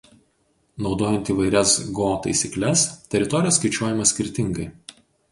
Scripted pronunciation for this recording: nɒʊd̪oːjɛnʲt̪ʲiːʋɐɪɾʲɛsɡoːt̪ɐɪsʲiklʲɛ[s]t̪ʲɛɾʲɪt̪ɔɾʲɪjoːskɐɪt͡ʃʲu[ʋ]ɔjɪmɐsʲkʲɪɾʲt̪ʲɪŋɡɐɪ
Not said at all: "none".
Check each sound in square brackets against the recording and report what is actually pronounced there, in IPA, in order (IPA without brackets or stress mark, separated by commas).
s, none